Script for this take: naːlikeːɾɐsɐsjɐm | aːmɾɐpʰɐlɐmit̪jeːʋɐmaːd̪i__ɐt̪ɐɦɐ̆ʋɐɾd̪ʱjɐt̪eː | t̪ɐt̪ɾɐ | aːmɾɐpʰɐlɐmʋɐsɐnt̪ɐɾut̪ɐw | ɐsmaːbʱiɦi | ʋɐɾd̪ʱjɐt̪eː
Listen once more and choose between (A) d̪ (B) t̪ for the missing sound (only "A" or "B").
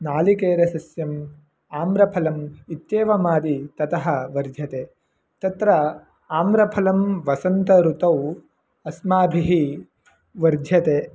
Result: B